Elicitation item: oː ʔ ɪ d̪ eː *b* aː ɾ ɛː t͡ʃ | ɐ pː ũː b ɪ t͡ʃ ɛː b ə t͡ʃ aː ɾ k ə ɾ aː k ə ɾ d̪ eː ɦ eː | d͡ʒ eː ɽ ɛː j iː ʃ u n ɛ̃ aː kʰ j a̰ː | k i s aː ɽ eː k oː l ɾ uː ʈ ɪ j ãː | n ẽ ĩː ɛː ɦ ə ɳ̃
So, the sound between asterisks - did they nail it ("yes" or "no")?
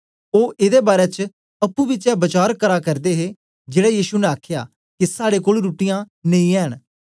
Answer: yes